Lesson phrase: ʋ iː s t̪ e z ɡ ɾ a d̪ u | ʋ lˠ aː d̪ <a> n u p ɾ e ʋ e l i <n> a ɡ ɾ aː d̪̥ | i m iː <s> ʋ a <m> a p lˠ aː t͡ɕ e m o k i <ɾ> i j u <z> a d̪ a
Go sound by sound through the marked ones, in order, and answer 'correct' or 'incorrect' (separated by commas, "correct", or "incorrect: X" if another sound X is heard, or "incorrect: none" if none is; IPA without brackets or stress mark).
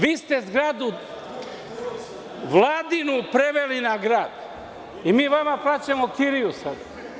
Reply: incorrect: i, correct, incorrect: none, correct, correct, incorrect: s